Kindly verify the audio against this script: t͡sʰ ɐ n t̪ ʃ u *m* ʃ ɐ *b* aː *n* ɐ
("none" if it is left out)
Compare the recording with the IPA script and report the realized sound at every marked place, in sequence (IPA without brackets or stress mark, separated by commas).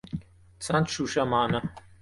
none, m, n